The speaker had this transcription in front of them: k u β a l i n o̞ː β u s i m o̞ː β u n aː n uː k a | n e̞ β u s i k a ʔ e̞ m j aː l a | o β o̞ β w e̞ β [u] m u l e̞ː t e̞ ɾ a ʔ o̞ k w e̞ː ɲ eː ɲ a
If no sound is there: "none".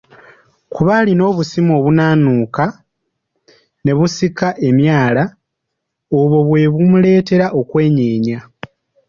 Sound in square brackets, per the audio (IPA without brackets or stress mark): u